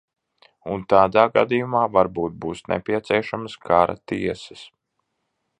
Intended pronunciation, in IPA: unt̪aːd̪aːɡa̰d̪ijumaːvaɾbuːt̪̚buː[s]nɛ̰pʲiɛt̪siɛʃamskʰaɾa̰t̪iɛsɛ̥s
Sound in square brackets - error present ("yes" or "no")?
no